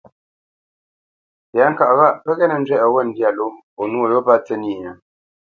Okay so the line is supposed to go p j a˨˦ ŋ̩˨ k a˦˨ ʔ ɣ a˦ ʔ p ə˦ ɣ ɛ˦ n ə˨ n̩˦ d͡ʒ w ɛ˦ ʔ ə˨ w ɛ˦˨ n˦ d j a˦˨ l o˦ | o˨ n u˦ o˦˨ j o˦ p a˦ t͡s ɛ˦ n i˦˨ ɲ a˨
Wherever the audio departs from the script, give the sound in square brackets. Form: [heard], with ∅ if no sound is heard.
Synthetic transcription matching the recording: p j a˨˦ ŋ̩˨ k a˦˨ ʔ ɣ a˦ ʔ p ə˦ ɣ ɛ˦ n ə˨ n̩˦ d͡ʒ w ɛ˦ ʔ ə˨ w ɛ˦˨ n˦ d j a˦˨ l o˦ | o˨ n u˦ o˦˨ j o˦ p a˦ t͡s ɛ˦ n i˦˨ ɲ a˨

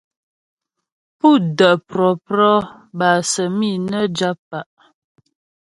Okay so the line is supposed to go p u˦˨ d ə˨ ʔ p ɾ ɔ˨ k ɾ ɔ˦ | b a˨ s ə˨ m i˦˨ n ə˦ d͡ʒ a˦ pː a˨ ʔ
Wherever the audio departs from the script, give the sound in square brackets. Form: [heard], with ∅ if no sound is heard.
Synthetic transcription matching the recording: p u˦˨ d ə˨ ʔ p ɾ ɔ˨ [p] ɾ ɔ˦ | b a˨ s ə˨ m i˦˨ n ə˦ d͡ʒ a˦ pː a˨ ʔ

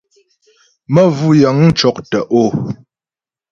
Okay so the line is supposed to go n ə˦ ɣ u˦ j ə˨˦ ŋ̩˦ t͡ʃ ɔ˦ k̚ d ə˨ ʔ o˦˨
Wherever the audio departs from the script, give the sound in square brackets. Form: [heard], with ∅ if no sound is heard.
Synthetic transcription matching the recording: [m] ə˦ [v] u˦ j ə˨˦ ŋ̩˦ t͡ʃ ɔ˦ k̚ [t] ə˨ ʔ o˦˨

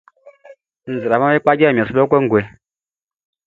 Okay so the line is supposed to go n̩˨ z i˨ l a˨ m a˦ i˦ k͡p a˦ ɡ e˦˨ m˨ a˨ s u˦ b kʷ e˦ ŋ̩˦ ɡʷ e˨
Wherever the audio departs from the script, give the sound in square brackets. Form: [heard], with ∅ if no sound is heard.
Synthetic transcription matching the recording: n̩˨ z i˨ [ɾ] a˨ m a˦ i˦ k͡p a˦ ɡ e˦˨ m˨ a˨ s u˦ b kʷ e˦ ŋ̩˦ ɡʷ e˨

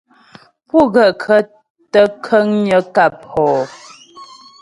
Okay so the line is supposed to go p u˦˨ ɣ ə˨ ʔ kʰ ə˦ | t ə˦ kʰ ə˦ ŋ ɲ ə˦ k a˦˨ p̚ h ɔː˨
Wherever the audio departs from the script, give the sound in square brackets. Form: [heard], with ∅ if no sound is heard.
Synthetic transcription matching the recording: p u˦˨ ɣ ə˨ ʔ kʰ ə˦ | t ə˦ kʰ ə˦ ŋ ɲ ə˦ k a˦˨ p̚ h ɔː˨

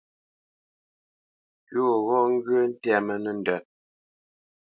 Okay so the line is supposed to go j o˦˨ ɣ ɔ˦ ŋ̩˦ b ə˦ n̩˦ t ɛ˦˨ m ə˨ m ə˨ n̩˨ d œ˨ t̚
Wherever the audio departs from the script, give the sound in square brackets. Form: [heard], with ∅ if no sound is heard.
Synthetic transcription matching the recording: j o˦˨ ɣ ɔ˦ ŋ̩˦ [ɡ] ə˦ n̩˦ t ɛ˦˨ m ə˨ [n] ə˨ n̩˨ d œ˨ t̚

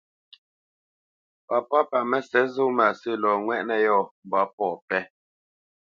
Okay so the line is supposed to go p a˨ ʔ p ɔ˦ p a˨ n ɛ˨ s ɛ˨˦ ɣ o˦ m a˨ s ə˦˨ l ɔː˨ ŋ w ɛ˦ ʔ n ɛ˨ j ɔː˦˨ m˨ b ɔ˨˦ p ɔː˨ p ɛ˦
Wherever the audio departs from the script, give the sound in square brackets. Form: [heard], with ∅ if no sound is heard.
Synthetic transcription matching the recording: p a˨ [∅] p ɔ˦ p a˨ [m] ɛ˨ s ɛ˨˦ [z] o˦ m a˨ s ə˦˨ l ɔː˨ ŋ w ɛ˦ ʔ n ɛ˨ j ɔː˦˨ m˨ b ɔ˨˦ p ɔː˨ p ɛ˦

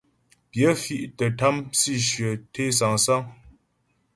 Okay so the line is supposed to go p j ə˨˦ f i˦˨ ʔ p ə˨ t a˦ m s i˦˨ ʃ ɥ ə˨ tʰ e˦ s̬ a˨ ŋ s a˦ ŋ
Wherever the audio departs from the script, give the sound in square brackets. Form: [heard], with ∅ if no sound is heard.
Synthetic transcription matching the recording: p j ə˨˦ f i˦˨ ʔ [t] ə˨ t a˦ m s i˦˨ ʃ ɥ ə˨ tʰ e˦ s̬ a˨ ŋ s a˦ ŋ

